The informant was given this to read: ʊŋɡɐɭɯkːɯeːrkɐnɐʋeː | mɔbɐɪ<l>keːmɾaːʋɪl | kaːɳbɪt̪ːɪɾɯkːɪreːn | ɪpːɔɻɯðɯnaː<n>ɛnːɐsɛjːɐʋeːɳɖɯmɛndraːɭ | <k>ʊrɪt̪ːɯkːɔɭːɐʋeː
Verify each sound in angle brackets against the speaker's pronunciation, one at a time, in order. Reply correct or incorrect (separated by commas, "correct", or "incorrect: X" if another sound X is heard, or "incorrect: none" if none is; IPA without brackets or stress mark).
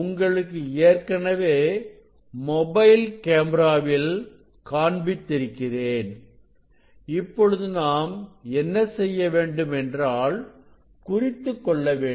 correct, incorrect: m, correct